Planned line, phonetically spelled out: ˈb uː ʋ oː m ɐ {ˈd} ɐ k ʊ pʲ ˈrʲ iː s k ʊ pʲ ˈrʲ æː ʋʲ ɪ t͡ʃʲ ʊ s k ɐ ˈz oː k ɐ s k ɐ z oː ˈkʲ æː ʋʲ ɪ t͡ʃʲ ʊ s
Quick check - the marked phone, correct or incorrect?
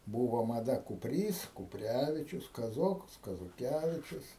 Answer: correct